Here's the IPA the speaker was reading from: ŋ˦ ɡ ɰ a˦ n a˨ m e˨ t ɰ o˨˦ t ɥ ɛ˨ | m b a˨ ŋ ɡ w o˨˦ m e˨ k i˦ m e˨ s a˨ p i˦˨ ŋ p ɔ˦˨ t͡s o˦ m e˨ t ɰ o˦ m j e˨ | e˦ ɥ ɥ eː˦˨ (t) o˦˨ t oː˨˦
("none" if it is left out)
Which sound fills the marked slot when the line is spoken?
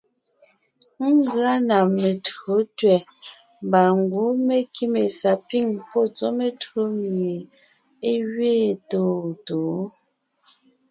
t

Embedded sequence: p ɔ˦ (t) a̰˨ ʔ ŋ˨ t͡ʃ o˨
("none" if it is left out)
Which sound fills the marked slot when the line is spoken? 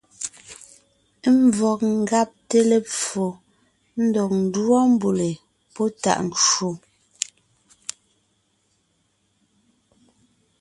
t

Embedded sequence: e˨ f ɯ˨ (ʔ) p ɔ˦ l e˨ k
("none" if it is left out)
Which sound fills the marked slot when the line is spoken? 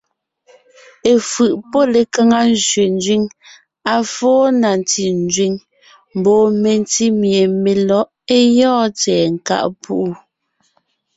ʔ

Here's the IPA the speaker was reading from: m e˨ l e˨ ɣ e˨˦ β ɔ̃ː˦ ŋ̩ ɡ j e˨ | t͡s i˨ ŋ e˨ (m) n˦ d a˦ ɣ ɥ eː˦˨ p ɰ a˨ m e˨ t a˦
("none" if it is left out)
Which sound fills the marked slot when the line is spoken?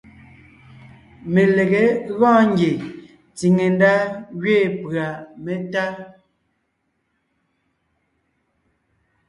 none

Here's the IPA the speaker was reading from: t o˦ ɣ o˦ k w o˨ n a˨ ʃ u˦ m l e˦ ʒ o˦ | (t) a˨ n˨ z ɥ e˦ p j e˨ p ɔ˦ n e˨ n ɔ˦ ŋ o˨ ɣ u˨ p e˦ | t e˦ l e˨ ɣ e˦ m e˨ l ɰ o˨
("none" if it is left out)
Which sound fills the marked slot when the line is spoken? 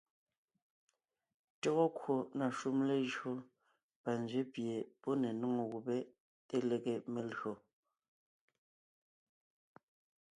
p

